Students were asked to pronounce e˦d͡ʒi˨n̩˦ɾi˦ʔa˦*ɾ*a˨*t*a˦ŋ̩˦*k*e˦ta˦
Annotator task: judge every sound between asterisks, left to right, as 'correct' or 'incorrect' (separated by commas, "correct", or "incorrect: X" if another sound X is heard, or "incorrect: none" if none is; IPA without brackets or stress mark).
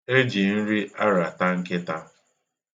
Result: correct, correct, correct